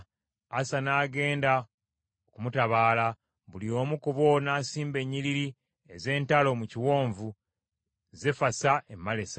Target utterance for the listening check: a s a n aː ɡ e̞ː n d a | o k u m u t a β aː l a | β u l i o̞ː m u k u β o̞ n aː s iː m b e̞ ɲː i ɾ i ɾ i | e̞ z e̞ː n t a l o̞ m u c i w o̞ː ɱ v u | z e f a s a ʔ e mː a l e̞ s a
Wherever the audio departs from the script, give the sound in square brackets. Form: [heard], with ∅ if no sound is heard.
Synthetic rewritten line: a s a n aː ɡ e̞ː n d a | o k u m u t a β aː l a | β u l i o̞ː m u k u β o̞ n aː s iː m b e̞ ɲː i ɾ i ɾ i | e̞ z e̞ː n t a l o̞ m u c i w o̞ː ɱ v u | z e f a s a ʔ e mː a l e̞ s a

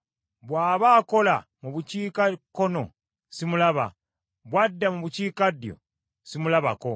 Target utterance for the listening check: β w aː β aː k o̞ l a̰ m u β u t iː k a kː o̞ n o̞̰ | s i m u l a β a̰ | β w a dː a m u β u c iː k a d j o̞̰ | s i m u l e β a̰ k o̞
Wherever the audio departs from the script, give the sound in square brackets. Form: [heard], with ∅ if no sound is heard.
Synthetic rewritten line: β w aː β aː k o̞ l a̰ m u β u [c] iː k a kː o̞ n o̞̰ | s i m u l a β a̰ | β w a dː a m u β u c iː k a d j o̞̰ | s i m u l [a] β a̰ k o̞

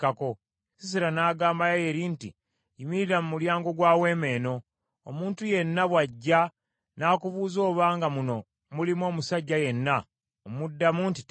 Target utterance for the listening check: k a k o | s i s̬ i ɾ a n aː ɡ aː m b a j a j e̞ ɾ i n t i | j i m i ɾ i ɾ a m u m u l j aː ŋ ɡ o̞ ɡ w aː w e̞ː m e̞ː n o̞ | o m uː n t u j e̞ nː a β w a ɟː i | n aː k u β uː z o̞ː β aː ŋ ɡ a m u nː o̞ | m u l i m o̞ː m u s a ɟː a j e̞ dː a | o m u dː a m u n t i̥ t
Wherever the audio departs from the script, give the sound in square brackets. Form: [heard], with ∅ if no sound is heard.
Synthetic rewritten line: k a k o | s i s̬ i ɾ a n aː ɡ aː m b a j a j e̞ ɾ i n t i | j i m i ɾ i ɾ a m u m u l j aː ŋ ɡ o̞ ɡ w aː w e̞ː m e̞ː n o̞ | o m uː n t u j e̞ nː a β w a ɟː [a] | n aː k u β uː z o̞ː β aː ŋ ɡ a m u [n] o̞ | m u l i m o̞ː m u s a ɟː a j e̞ [nː] a | o m u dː a m u n t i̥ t

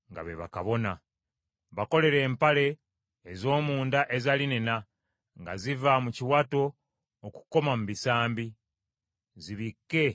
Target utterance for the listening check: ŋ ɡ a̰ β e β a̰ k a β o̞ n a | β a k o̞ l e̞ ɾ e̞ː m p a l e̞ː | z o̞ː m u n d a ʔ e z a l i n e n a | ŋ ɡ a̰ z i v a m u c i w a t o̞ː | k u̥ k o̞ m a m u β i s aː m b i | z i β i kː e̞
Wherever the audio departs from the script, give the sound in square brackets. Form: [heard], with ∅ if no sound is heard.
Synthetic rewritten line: ŋ ɡ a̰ β e β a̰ k a β o̞ n a | β a k o̞ l e̞ ɾ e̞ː m p a l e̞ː | z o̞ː m [uː] n d a ʔ e z a l i n e n a | ŋ ɡ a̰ z i v a m u c i w a t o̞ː | k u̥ k o̞ m a m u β i s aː m b i | z i β i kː e̞

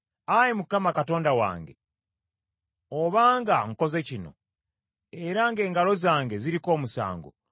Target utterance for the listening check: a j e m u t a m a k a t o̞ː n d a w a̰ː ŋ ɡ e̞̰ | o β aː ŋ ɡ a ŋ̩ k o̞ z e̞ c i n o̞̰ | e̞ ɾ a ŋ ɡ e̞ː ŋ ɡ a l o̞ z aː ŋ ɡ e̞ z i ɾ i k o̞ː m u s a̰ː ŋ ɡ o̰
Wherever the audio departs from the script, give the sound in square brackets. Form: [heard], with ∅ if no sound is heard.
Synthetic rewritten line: a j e m u [k] a m a k a t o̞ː n d a w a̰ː ŋ ɡ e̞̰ | o β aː ŋ ɡ a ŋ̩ k o̞ z e̞ c i n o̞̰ | e̞ ɾ a ŋ ɡ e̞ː ŋ ɡ a l o̞ z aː ŋ ɡ e̞ z i ɾ i k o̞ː m u s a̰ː ŋ ɡ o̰

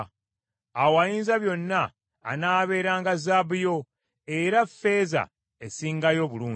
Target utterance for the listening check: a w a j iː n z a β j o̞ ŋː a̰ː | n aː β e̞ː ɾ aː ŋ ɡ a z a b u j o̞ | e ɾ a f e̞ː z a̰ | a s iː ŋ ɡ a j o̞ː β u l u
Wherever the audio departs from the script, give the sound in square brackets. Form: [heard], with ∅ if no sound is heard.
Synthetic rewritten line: a w a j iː n z a β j o̞ [nː] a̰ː | n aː β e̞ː ɾ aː ŋ ɡ a z a b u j o̞ | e ɾ a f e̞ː z a̰ | [e] s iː ŋ ɡ a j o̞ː β u l [uː]

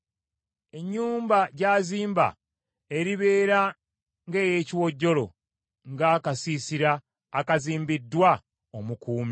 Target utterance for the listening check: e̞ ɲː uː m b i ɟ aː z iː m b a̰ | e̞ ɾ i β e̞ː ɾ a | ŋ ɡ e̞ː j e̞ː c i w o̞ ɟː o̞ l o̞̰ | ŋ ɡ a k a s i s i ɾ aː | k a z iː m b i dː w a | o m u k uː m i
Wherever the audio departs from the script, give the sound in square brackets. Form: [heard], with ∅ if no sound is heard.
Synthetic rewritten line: e̞ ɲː uː m b [a] ɟ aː z iː m b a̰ | e̞ ɾ i β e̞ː ɾ a | ŋ ɡ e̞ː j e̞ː c i w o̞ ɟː o̞ l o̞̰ | ŋ ɡ a k a s i s i ɾ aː | k a z iː m b i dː w a | o m u k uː m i

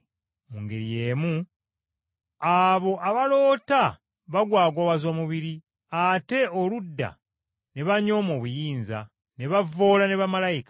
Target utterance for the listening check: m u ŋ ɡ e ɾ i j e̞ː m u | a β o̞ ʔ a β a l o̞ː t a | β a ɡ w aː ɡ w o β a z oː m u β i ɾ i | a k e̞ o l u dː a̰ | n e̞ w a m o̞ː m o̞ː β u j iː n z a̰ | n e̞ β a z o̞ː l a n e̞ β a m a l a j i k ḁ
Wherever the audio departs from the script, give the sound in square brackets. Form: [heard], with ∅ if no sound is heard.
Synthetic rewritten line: m u ŋ ɡ e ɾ i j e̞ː m u | a β o̞ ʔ a β a l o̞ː t a | β a ɡ w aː ɡ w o β a z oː m u β i ɾ i | a [t] e̞ o l u dː a̰ | n e̞ [β] a [ɲ] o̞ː m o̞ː β u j iː n z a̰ | n e̞ β a [v] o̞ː l a n e̞ β a m a l a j i k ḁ

